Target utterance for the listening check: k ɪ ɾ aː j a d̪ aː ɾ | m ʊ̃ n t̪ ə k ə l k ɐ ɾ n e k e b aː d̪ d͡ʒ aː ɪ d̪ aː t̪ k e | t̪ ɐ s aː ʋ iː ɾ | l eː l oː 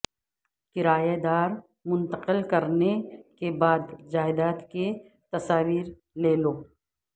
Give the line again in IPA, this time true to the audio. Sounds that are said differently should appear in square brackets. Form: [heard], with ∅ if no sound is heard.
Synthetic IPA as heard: k ɪ ɾ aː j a d̪ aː ɾ | m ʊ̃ n t̪ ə [q] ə l k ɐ ɾ n e k e b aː d̪ d͡ʒ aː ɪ d̪ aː t̪ k e | t̪ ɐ s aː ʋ iː ɾ | l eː l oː